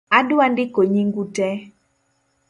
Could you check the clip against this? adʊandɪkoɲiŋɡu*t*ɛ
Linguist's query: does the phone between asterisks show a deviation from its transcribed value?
no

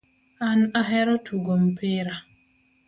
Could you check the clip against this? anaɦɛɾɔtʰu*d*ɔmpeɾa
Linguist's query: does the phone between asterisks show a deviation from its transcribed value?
yes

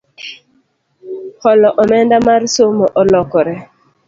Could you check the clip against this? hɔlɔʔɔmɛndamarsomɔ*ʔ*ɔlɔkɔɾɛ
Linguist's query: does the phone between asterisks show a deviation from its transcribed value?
no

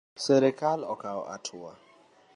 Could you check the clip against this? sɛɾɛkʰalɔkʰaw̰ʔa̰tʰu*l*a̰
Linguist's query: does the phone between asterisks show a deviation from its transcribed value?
yes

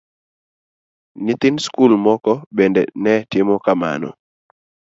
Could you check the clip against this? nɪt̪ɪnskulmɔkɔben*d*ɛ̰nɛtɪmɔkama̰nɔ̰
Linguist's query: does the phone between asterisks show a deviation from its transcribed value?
no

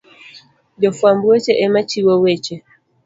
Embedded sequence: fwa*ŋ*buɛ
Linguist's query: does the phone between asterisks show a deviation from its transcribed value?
yes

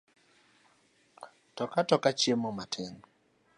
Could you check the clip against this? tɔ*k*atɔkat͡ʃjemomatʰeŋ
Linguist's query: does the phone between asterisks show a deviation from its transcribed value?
no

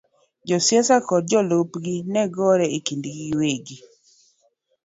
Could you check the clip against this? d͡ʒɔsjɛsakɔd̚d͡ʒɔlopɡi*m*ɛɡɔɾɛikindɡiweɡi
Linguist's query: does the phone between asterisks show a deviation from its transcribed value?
yes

